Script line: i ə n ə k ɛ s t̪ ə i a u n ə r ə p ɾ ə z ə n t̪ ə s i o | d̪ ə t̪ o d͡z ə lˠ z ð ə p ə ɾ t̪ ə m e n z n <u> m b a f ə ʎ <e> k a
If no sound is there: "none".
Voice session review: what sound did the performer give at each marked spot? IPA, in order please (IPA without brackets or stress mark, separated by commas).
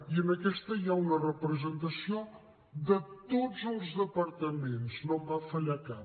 o, a